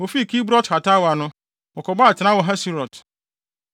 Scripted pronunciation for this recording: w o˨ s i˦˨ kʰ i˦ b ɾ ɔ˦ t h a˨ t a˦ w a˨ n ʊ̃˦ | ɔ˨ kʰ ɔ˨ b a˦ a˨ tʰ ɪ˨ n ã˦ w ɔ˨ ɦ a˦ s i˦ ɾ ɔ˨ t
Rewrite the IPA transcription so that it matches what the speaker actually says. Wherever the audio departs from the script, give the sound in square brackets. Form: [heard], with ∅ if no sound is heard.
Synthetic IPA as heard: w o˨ [f] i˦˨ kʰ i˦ b ɾ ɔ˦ t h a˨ t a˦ w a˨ n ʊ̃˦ | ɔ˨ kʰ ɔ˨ b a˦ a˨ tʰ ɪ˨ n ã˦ w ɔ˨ ɦ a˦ s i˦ ɾ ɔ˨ t